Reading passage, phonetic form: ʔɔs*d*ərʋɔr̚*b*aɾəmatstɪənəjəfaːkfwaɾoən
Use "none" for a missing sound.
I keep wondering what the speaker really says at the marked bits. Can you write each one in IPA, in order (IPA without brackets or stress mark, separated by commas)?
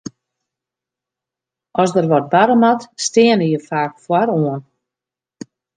d, b